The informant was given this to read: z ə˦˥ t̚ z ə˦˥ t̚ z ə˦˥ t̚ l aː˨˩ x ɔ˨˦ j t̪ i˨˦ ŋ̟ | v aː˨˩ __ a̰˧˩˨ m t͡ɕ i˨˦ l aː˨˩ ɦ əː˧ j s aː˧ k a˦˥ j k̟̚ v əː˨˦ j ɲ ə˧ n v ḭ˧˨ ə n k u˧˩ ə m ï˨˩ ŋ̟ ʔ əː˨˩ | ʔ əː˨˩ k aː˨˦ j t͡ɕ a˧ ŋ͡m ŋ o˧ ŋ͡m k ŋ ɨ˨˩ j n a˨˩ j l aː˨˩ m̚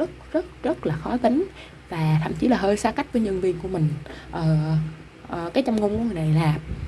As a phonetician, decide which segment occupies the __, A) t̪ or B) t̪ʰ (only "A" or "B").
B